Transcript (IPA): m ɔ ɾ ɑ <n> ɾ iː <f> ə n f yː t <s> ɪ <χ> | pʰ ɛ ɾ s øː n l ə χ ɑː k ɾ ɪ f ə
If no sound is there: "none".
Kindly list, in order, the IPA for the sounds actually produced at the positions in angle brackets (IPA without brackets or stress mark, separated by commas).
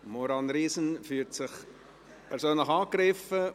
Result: n, s, s, χ